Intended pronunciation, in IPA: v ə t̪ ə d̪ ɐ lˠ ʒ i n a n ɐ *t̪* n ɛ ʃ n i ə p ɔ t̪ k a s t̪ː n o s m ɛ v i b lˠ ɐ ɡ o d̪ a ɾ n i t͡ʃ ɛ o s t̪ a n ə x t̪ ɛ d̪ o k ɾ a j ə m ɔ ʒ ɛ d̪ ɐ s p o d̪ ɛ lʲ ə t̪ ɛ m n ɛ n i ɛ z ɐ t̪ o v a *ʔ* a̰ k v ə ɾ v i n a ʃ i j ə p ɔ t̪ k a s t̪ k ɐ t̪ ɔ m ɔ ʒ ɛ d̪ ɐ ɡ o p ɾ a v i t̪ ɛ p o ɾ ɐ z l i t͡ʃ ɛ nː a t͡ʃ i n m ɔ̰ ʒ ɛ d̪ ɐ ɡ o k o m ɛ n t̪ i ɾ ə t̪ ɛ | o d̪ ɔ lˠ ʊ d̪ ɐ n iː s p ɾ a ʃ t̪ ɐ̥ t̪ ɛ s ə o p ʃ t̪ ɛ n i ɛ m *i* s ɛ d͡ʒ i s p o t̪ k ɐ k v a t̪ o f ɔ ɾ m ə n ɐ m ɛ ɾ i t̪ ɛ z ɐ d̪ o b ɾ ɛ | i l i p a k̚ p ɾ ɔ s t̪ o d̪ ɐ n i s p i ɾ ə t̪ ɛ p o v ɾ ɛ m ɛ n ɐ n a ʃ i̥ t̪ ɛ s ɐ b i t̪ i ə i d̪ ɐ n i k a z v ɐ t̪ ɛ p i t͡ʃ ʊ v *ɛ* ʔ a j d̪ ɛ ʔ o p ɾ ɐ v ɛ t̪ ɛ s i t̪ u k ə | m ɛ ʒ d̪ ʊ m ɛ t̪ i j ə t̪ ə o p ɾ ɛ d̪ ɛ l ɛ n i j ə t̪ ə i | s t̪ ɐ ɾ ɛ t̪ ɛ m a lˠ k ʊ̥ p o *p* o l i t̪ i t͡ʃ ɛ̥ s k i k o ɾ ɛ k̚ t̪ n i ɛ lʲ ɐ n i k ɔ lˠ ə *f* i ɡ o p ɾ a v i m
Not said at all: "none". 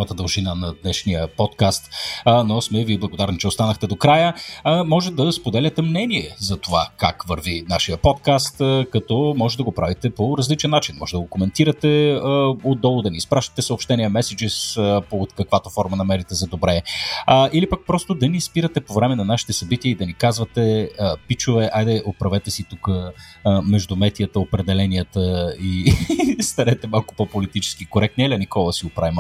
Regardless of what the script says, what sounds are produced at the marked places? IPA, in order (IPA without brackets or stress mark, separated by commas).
d̪, k, ɛ, ɛ, p, s